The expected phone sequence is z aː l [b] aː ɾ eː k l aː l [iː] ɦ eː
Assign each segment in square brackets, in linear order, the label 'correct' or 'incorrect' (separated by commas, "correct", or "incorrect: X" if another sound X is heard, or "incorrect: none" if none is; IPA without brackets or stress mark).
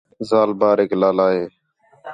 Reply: correct, incorrect: aː